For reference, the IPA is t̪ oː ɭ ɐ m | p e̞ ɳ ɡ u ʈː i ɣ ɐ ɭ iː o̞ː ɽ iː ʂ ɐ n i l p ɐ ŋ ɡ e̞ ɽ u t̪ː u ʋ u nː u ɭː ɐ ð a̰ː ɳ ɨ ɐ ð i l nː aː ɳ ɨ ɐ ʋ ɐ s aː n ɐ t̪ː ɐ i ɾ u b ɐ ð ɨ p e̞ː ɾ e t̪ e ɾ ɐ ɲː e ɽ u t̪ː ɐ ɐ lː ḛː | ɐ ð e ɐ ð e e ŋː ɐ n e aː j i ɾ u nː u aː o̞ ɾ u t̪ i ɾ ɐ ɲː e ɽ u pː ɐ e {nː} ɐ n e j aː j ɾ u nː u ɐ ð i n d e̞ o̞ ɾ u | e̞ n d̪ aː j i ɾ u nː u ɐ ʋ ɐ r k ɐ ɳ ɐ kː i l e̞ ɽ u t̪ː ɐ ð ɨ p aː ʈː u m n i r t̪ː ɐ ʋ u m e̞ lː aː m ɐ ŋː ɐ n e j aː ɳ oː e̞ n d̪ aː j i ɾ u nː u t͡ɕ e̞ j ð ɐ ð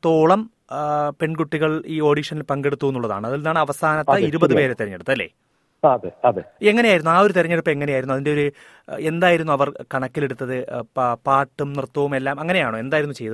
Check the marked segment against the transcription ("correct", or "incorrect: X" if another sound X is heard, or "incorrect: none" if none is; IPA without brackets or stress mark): incorrect: ŋː